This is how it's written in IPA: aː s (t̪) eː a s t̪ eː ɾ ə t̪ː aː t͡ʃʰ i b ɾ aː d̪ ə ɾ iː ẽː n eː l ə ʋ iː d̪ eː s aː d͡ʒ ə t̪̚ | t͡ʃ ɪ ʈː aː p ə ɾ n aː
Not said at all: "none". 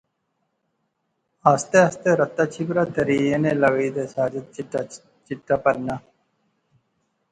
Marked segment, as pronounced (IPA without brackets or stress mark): t̪